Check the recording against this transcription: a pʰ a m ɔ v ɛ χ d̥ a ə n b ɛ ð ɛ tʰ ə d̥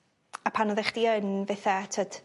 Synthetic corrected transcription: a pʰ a n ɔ ð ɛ χ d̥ i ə n v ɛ θ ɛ tʰ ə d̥